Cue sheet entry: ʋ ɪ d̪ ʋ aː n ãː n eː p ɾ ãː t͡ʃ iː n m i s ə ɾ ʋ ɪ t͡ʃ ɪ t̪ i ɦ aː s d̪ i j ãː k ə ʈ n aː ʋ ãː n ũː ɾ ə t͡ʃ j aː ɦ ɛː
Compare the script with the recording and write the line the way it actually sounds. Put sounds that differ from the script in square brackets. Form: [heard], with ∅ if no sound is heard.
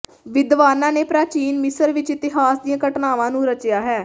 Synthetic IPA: ʋ ɪ d̪ ʋ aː n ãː n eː p ɾ [aː] t͡ʃ iː n m [ɪ] s ə ɾ ʋ ɪ t͡ʃ ɪ t̪ [ɪ] ɦ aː s d̪ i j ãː k ə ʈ n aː ʋ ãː n ũː ɾ ə t͡ʃ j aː ɦ ɛː